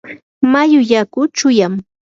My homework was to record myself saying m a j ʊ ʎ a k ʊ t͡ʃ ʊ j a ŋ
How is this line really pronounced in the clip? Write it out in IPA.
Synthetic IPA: m a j ʊ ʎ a k ʊ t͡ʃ ʊ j a m

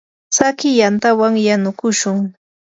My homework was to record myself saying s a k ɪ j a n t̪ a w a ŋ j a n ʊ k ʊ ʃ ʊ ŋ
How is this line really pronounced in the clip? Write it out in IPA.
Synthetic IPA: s a k ɪ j a n t̪ a w a ŋ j a n ʊ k ʊ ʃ ʊ ŋ

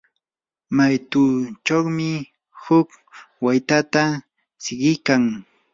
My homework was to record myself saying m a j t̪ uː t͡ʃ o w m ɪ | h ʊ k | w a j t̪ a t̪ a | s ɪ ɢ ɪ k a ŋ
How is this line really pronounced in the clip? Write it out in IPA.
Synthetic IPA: m a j t̪ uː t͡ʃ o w m ɪ | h ʊ k | w a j t̪ a t̪ a | s ɪ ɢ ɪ k a ŋ

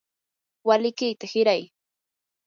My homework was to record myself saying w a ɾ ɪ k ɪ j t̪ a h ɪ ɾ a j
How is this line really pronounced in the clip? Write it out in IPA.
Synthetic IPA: w a l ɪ k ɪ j t̪ a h ɪ ɾ a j

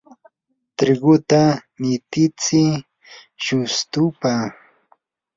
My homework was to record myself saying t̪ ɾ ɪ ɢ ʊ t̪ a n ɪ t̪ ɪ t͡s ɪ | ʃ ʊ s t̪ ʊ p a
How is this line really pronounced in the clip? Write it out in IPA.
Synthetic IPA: t̪ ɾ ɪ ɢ ʊ t̪ a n ɪ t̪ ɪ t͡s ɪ | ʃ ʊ s t̪ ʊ p a

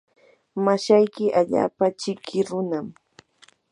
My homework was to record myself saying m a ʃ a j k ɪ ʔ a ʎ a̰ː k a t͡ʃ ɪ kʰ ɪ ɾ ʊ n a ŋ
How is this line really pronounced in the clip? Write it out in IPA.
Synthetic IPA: m a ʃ a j k ɪ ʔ a ʎ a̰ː p a t͡ʃ ɪ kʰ ɪ ɾ ʊ n a m

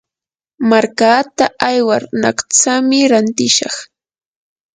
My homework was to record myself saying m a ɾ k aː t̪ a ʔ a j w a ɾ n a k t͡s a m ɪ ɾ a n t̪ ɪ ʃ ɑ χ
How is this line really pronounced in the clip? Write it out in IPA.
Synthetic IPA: m a ɾ k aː t̪ a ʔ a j w a ɾ n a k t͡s a m ɪ ɾ a n t̪ ɪ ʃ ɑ χ

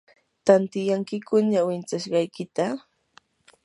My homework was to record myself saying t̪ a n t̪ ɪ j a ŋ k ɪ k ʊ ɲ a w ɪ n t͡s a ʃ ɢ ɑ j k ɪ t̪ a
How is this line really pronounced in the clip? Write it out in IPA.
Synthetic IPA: t̪ a n t̪ ɪ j a ŋ k ɪ k ʊ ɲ a w ɪ n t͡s a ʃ ɢ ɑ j k ɪ t̪ a

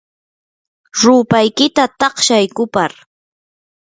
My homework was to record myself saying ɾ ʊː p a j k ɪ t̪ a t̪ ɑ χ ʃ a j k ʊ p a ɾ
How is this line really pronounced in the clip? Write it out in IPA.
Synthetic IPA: ɾ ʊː p a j k ɪ t̪ a t̪ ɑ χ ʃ a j k ʊ p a ɾ

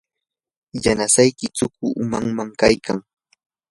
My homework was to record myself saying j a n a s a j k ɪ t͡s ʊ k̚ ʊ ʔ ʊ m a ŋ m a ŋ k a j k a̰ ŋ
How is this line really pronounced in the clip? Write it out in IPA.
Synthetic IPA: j a n a s a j k ɪ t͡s ʊ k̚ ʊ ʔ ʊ m a ŋ m a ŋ k a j k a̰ ŋ

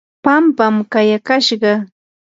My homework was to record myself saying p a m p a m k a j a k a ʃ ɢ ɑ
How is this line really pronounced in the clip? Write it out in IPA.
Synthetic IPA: p a m p a m k a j a k a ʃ ɢ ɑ

